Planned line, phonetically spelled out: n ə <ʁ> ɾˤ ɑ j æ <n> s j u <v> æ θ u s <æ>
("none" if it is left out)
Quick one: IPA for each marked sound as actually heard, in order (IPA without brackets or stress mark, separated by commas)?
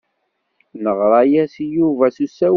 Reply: ʁ, none, v, æ